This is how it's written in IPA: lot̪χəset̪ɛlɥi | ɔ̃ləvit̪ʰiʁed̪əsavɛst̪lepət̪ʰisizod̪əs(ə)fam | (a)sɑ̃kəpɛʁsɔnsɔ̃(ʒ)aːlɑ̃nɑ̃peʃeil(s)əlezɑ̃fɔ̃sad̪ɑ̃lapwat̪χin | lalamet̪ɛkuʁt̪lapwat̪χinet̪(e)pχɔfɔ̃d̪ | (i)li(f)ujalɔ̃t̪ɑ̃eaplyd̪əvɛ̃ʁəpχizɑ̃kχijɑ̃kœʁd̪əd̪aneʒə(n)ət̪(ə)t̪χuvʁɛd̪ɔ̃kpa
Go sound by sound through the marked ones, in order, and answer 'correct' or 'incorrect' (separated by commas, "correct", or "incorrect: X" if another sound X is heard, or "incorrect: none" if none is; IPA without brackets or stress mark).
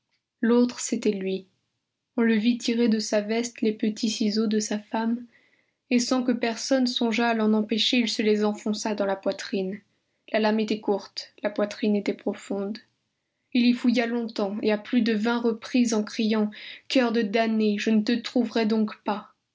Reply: incorrect: a, incorrect: e, correct, correct, incorrect: ɛ, correct, correct, correct, correct